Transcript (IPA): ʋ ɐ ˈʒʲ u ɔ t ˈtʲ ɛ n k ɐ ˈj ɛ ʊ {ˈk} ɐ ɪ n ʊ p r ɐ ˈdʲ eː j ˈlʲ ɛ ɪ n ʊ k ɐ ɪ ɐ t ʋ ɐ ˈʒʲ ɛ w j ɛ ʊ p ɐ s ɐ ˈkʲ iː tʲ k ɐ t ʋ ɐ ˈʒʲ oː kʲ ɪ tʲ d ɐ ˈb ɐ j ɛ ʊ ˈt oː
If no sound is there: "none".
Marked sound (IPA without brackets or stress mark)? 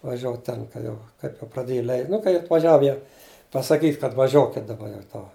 k